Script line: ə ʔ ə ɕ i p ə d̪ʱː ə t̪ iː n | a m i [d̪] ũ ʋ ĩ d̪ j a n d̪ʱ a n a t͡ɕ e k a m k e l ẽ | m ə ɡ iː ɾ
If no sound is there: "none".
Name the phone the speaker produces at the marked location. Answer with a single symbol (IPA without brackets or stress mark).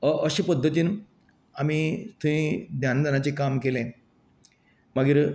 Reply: t̪